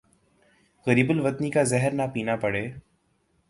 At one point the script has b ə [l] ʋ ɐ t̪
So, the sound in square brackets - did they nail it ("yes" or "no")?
yes